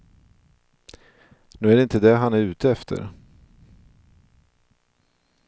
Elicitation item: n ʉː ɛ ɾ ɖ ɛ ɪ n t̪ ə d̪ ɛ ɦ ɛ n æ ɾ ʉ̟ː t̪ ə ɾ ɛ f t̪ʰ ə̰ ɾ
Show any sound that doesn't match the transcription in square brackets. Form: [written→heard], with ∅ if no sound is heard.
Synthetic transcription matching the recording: n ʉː [ɛ→æ] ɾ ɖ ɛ ɪ n t̪ ə d̪ ɛ ɦ [ɛ→a] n æ ɾ ʉ̟ː t̪ ə [ɾ→∅] ɛ f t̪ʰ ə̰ ɾ